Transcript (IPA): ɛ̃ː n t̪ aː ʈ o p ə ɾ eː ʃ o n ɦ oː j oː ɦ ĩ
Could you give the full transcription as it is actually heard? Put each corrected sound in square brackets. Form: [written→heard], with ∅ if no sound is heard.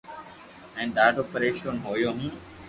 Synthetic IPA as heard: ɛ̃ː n [t̪→d̪] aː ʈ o p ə ɾ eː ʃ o n ɦ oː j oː ɦ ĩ